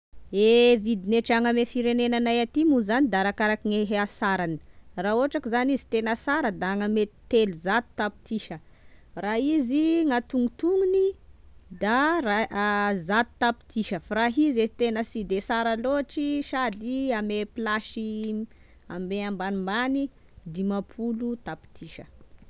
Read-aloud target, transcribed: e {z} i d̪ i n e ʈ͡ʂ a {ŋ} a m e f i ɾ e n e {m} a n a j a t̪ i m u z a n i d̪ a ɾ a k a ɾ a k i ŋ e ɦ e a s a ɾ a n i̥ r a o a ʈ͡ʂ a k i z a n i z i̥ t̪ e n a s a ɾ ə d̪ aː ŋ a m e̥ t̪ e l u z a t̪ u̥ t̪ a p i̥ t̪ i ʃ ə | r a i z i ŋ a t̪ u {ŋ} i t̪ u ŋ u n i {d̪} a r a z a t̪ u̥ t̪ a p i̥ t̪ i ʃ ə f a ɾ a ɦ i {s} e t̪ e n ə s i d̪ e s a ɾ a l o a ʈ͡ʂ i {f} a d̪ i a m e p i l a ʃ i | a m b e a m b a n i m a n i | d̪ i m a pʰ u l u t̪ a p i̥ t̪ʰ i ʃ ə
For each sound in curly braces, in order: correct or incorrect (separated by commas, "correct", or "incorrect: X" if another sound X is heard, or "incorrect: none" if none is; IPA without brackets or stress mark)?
incorrect: v, correct, incorrect: n, correct, correct, incorrect: z, incorrect: ʃ